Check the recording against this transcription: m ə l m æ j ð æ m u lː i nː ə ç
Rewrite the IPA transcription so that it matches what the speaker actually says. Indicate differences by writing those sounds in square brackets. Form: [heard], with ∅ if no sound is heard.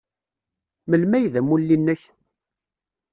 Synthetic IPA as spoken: m ə l m æ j ð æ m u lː i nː ə ç

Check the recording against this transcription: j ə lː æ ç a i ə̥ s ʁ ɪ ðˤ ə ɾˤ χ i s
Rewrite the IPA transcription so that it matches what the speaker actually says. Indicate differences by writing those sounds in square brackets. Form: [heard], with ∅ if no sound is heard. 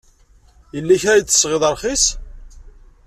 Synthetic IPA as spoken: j ə lː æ ç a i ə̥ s ʁ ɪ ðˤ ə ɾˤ χ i s

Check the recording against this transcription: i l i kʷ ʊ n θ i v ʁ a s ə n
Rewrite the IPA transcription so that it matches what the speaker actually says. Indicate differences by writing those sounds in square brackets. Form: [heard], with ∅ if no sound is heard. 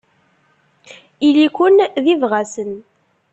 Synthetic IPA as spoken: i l i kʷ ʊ n [ð] i v ʁ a s ə n

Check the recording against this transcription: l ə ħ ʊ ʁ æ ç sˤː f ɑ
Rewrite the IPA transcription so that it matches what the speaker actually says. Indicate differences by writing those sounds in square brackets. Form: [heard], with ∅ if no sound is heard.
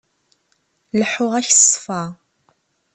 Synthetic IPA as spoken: l ə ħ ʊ ʁ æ ç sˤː f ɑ

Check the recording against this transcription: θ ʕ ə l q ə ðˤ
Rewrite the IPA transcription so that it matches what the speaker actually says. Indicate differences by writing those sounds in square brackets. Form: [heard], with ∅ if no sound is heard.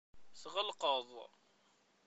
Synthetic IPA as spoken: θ [ʁ] ə l q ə ðˤ

